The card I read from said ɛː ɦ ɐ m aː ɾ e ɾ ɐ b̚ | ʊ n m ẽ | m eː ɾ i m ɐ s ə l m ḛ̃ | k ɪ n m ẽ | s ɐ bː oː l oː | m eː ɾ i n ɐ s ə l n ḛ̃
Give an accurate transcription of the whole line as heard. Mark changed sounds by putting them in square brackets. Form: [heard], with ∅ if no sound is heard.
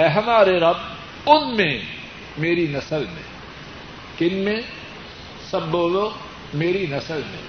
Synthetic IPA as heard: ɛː ɦ ɐ m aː ɾ e ɾ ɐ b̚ | ʊ n m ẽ | m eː ɾ i [n] ɐ s ə l m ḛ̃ | k ɪ n m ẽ | s ɐ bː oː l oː | m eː ɾ i n ɐ s ə l [m] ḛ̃